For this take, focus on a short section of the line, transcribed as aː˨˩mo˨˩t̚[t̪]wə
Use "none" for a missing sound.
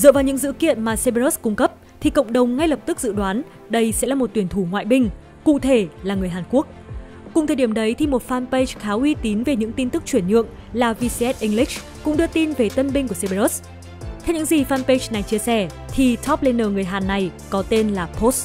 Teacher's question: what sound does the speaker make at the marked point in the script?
t̪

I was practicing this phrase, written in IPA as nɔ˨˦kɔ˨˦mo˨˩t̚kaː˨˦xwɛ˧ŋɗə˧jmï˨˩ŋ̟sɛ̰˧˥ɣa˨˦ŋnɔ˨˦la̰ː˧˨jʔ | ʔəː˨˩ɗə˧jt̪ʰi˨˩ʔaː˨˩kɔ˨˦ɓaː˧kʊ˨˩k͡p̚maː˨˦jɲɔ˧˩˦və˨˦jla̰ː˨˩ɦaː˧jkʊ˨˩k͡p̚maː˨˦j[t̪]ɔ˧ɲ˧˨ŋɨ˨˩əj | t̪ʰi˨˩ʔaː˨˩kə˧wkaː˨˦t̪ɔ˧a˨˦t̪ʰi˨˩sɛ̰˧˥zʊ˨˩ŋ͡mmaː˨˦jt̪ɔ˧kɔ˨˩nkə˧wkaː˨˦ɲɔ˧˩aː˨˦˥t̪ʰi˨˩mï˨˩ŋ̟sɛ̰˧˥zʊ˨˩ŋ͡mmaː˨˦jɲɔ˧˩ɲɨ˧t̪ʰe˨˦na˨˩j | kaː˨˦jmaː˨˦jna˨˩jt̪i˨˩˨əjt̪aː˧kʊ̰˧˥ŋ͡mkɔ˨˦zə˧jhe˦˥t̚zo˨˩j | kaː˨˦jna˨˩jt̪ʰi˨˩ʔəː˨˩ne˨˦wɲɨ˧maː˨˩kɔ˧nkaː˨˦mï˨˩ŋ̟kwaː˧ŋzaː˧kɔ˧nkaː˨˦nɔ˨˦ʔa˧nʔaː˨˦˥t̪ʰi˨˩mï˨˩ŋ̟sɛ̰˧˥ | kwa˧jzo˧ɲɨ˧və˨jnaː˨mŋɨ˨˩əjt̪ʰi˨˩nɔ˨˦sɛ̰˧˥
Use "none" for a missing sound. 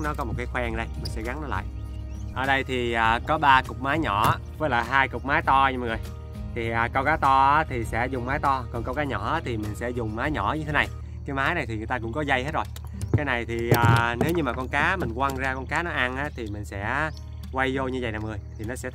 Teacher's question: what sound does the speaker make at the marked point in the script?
t̪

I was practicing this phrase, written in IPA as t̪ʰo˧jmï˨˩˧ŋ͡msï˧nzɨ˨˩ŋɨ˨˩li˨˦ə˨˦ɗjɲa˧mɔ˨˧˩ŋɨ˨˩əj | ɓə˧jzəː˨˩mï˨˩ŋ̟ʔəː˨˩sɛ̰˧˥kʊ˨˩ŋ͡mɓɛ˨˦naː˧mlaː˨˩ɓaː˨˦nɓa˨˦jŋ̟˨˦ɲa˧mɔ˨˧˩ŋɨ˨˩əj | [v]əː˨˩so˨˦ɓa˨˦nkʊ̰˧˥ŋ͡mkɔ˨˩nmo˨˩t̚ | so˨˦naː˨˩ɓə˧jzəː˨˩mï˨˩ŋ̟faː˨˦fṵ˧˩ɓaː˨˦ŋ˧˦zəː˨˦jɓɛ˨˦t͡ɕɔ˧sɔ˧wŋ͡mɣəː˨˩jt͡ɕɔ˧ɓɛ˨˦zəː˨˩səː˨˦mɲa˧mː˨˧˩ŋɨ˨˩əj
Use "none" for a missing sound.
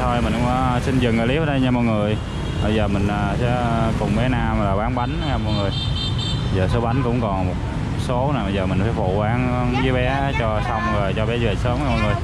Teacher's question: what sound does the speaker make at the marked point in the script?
z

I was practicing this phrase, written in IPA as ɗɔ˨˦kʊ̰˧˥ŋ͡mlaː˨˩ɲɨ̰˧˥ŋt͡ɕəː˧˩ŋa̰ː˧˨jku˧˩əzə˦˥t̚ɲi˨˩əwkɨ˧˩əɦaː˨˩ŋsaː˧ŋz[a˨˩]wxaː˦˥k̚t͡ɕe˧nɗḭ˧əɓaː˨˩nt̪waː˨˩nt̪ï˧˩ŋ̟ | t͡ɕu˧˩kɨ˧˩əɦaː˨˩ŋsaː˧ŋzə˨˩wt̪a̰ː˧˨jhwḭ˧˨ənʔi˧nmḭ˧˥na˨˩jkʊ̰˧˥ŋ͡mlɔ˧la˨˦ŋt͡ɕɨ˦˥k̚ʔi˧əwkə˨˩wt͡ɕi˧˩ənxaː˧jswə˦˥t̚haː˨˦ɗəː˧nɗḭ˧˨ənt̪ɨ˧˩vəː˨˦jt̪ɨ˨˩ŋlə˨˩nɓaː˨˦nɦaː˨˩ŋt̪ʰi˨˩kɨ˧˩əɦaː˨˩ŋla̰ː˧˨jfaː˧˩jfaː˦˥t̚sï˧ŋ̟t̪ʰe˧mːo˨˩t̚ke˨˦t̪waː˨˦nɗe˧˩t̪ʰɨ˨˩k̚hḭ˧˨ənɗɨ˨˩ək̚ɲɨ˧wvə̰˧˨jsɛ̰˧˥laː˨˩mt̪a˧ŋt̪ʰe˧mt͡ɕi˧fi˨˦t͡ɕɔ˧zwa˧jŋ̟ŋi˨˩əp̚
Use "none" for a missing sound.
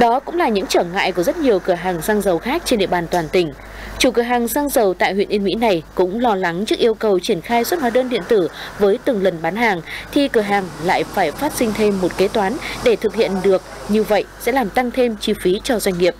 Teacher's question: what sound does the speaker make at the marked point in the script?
ə˨˩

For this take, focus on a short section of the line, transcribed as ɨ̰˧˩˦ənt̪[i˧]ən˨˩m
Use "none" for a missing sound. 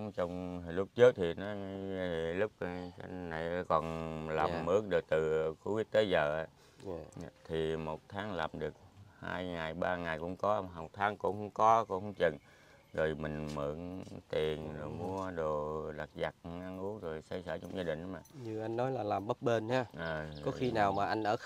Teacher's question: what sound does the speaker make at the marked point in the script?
i˨˩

